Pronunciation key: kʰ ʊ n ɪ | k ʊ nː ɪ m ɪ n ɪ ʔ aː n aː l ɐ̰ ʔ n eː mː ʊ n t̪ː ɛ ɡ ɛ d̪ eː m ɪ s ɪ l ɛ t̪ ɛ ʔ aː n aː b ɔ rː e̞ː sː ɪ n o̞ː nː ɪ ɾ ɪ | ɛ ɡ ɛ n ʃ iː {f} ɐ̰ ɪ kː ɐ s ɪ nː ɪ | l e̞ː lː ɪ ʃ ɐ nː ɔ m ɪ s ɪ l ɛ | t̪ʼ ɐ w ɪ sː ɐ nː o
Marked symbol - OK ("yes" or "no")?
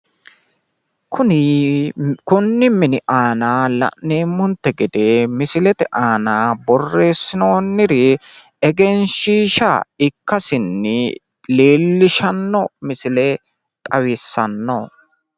no